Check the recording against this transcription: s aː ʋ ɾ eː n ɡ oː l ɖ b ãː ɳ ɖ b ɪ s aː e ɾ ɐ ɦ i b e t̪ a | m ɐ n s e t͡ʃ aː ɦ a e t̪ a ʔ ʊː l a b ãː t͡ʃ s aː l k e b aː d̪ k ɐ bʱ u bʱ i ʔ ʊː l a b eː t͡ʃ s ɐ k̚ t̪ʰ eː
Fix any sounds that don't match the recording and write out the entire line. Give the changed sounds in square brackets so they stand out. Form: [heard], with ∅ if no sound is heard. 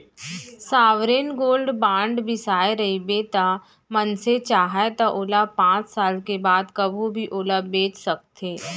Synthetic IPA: s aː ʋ ɾ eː n ɡ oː l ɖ b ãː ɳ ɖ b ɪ s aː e ɾ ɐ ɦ i b e t̪ a | m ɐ n s e t͡ʃ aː ɦ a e t̪ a ʔ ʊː l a [p] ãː t͡ʃ s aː l k e b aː d̪ k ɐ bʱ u bʱ i ʔ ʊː l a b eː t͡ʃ s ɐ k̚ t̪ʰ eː